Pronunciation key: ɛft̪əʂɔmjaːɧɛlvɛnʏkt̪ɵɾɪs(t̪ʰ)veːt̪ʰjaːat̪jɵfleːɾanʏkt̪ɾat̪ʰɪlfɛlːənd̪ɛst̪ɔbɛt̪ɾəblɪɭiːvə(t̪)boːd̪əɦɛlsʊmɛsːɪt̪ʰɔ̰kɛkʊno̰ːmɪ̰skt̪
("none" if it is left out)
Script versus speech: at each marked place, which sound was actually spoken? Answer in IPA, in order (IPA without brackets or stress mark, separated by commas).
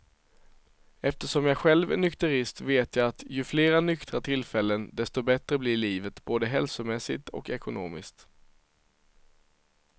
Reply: t̪, t̪